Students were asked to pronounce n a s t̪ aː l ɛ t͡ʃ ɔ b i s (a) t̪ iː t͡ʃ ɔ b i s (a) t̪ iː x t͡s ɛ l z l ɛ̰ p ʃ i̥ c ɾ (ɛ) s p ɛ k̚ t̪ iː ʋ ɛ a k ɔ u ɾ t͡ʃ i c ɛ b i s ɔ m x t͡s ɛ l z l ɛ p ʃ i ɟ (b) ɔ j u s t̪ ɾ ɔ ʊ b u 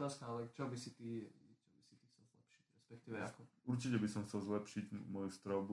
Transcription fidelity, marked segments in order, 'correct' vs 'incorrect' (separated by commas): incorrect, incorrect, correct, incorrect